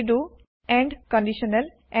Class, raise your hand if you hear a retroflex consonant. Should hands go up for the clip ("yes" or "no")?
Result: yes